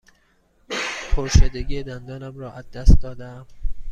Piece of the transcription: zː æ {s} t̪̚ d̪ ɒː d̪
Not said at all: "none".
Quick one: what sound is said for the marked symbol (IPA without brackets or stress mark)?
s